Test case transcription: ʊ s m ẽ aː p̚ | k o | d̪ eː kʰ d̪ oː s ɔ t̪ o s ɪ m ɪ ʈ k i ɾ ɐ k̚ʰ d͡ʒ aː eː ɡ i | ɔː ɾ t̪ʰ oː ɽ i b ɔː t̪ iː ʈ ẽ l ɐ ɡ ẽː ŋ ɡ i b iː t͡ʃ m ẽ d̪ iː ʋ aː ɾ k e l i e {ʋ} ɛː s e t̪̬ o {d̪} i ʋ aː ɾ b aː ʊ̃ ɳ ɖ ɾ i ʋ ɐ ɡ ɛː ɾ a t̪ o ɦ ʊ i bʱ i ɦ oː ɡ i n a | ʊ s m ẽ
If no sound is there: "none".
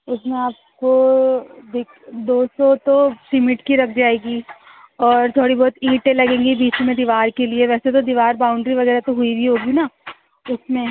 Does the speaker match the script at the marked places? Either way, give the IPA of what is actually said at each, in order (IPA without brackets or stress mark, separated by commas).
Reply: ʋ, d̪